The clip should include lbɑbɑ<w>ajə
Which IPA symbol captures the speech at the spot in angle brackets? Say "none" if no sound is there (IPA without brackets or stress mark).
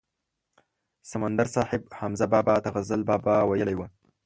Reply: w